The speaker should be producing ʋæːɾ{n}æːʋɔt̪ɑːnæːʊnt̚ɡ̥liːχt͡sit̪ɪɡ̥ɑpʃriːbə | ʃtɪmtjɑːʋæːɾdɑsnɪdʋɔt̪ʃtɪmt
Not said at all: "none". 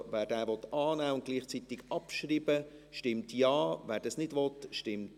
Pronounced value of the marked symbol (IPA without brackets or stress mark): d